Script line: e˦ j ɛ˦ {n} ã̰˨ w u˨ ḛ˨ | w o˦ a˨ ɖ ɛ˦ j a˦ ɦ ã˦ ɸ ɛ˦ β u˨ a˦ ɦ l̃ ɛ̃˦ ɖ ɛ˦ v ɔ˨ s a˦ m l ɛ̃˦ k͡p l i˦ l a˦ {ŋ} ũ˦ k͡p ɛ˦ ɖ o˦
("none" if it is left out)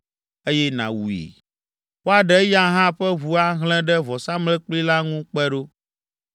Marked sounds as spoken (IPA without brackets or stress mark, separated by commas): n, ŋ